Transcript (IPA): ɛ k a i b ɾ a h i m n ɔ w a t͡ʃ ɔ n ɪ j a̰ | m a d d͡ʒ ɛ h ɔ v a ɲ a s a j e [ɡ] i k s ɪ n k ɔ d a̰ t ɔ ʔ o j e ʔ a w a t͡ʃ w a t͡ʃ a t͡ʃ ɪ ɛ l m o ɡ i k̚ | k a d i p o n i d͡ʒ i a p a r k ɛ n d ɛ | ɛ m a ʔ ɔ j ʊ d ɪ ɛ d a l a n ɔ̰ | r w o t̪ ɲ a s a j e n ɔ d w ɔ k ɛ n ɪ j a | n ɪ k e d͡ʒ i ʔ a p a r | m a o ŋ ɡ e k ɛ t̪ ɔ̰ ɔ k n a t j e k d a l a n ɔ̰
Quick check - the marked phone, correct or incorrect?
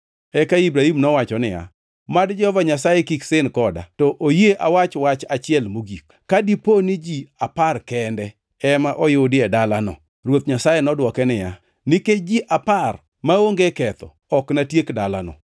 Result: incorrect